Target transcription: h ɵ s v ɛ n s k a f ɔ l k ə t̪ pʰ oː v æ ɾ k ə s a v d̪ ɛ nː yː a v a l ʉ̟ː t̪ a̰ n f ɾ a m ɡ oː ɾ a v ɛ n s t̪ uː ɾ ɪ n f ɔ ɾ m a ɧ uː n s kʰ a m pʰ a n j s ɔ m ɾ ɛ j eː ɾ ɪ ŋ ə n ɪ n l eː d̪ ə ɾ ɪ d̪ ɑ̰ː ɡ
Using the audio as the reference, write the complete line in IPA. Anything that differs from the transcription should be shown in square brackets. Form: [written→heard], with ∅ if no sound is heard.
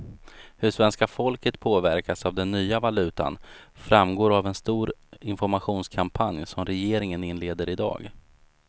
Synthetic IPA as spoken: h ɵ [s→ʂ] v ɛ n s k a f ɔ l k ə t̪ pʰ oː v æ ɾ k [ə→a] s a v d̪ ɛ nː yː a v a l ʉ̟ː t̪ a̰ n f ɾ a m ɡ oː ɾ a v ɛ n s t̪ uː ɾ ɪ n f ɔ ɾ m a ɧ uː n s kʰ a m pʰ a n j s ɔ m ɾ ɛ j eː ɾ ɪ ŋ ə n ɪ n l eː d̪ ə ɾ ɪ d̪ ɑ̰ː ɡ